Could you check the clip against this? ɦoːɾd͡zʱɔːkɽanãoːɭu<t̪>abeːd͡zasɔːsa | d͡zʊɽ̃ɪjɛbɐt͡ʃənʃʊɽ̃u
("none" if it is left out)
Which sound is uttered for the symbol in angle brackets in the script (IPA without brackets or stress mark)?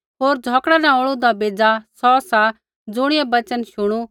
d̪